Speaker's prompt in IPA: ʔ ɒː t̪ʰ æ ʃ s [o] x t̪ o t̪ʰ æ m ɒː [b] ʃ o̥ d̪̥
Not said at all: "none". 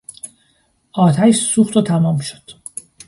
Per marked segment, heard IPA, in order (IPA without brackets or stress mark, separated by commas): u, m